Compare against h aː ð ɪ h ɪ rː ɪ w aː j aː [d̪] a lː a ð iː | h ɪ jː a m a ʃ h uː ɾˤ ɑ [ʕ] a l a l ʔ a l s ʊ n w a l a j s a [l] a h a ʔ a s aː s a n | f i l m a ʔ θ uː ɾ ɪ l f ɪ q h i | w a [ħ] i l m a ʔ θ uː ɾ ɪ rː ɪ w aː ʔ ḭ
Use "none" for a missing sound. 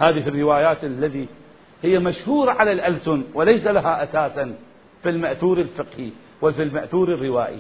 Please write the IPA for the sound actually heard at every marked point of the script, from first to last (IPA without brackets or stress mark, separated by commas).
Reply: t̪, ʕ, l, f